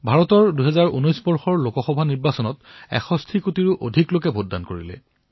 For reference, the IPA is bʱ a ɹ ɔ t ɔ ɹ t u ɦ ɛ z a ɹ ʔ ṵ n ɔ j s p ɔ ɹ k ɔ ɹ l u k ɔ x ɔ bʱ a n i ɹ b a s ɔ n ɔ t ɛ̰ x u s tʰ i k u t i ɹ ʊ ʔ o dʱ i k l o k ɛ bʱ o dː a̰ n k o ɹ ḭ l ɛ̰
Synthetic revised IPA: bʱ a ɹ ɔ t ɔ ɹ d u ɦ ɛ z a ɹ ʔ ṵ n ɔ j s b ɔ ɹ x ɔ ɹ l o k ɔ x ɔ bʱ a n i ɹ b a s ɔ n ɔ t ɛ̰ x ɔ s tʰ i k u t i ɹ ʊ ʔ o dʱ i k l o k ɛ bʱ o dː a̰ n k o ɹ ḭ l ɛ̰